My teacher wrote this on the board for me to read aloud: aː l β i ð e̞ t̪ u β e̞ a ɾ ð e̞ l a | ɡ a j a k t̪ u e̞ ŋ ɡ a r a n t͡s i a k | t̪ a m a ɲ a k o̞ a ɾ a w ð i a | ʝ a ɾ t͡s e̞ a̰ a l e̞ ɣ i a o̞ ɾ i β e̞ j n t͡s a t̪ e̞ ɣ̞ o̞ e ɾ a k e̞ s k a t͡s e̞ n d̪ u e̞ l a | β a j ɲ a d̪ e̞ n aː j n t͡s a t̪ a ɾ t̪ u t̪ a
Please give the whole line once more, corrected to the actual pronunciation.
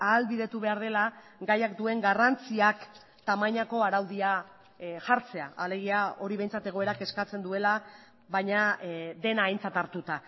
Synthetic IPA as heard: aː l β i ð e̞ t̪ u β e̞ a ɾ ð e̞ l a | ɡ a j a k d̪ u e̞ ŋ ɡ a r a n t͡s i a k | t̪ a m a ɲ a k o̞ a ɾ a w ð i a | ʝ a ɾ t͡s e̞ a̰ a l e̞ ɣ i a o̞ ɾ i β e̞ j n t͡s a t̪ e̞ ɣ̞ o̞ e ɾ a k e̞ s k a t͡s e̞ n d̪ u e̞ l a | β a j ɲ a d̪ e̞ n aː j n t͡s a t̪ a ɾ t̪ u t̪ a